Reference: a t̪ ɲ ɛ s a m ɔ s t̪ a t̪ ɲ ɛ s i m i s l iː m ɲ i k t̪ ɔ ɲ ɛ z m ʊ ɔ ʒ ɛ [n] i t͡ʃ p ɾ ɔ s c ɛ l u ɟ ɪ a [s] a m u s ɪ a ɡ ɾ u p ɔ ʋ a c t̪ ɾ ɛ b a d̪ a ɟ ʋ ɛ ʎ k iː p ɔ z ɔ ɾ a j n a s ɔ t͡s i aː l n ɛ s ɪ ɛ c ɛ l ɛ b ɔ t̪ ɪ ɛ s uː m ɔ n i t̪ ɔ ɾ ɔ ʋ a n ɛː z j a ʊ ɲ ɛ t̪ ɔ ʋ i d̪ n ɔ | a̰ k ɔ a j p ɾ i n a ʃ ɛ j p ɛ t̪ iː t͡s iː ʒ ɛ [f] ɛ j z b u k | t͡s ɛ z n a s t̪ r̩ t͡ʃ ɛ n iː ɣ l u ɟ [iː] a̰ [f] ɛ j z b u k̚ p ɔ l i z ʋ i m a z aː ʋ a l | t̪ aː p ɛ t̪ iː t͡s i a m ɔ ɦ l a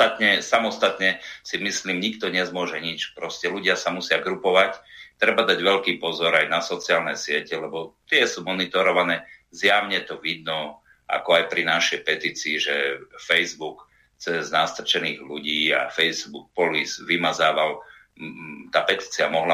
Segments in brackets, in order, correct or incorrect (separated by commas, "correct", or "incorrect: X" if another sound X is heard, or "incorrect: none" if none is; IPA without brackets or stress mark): incorrect: ɲ, correct, correct, correct, correct